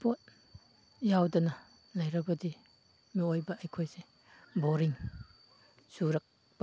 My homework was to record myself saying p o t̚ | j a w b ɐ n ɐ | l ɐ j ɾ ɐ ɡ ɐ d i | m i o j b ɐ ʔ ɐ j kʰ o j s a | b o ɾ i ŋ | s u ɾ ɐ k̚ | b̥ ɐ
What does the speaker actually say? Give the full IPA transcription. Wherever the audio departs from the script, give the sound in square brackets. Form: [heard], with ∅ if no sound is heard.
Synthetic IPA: p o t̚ | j a w [d] ɐ n ɐ | l ɐ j ɾ ɐ [b] ɐ d i | m i o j b ɐ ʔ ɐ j kʰ o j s [e] | b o ɾ i ŋ | s u ɾ ɐ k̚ | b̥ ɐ